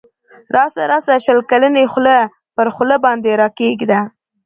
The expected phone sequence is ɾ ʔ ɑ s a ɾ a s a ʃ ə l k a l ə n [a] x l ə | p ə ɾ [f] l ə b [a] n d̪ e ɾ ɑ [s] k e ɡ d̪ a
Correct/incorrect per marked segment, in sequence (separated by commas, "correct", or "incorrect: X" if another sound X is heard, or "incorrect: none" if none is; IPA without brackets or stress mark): incorrect: e, incorrect: x, incorrect: ɑ, incorrect: none